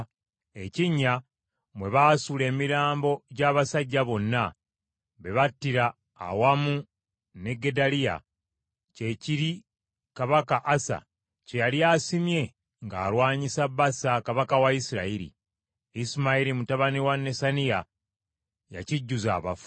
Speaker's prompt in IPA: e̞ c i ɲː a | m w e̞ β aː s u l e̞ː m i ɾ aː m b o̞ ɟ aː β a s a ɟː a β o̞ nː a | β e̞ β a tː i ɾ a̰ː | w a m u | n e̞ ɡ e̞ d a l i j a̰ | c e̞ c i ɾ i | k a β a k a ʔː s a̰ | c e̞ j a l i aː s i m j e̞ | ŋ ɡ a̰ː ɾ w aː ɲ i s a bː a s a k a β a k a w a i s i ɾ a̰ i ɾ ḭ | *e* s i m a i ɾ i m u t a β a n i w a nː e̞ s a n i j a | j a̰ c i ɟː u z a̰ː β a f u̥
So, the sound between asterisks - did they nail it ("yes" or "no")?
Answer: no